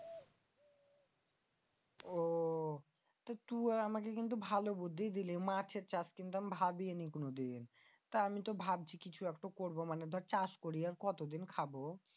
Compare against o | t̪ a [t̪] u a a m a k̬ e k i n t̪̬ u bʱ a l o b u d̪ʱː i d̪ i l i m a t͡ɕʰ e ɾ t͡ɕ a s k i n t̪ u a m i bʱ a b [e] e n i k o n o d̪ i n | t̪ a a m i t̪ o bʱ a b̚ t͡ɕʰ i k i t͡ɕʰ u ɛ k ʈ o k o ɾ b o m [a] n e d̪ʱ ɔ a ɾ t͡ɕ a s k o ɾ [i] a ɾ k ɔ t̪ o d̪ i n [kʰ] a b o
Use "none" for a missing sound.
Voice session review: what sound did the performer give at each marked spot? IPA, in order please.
t̪, i, a, i, kʰ

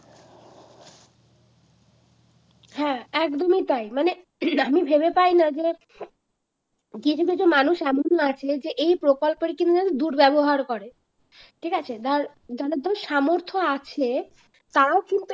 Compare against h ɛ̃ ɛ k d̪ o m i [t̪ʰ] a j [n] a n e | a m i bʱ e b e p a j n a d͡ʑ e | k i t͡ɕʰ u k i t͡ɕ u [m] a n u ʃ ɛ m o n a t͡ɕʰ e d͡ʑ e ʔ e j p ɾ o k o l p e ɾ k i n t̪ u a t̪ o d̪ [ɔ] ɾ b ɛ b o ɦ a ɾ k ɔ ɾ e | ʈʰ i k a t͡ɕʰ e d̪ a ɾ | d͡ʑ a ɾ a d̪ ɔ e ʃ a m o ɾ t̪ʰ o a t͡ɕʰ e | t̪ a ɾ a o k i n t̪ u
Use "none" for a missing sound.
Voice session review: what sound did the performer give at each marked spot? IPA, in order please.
t̪, m, m, u

